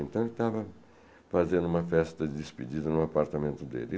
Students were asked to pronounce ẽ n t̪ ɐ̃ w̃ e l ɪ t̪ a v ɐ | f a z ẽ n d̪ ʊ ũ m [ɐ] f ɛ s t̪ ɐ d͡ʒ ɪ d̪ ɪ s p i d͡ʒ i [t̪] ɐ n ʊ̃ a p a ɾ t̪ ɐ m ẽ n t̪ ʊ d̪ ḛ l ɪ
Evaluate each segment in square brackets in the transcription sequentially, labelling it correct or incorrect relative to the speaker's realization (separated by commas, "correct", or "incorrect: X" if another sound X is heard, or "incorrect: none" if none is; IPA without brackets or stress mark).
correct, incorrect: d̪